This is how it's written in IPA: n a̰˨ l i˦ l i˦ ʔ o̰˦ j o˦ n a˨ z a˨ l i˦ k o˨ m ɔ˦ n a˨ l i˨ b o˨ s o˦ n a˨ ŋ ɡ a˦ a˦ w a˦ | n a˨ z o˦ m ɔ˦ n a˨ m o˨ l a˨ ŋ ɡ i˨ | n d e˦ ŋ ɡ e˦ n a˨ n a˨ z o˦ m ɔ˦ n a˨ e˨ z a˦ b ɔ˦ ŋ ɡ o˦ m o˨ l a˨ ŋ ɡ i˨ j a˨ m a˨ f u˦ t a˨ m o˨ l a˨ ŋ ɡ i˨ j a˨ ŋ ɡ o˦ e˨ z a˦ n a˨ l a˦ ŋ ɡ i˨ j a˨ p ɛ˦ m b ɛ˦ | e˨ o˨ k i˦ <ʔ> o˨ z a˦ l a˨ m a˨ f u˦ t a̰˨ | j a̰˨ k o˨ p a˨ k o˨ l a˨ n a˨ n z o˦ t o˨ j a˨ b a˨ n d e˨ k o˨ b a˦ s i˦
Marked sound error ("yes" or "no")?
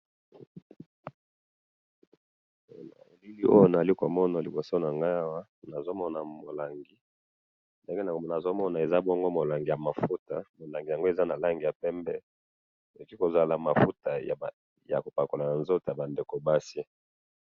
yes